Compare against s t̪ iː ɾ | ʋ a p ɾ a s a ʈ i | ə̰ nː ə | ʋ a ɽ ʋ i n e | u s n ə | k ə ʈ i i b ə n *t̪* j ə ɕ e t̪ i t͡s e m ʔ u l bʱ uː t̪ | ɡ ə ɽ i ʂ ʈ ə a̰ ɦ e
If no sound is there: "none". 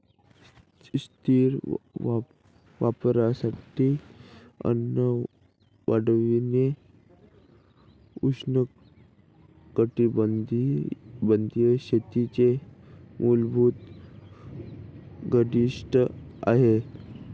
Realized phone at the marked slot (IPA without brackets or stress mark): d̪